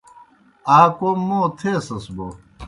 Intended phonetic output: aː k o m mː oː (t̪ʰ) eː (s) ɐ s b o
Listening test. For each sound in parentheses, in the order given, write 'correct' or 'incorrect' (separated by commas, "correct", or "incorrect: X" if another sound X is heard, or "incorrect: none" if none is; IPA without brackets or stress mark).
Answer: correct, correct